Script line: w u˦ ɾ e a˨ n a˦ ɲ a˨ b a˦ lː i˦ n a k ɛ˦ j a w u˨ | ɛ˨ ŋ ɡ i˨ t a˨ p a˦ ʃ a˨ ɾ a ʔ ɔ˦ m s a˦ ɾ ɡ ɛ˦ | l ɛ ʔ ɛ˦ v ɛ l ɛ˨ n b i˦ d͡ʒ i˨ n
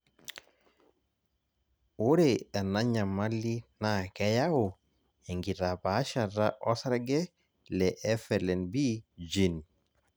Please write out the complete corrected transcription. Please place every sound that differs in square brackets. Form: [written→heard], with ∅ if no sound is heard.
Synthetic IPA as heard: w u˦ ɾ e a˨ n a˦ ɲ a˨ [b→m] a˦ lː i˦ n a k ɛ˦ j a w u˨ | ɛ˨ ŋ ɡ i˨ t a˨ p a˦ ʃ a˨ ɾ a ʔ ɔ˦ [m→∅] s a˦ ɾ ɡ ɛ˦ | l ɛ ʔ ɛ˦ [v→f] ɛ l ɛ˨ n b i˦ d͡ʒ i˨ n